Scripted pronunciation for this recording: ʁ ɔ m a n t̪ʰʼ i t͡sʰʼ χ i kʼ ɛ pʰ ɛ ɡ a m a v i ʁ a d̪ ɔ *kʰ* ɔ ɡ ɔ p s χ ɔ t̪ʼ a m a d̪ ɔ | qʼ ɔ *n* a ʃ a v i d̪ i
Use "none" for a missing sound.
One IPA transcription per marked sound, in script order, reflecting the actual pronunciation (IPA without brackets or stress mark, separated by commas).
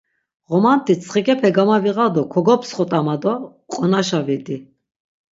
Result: kʰ, n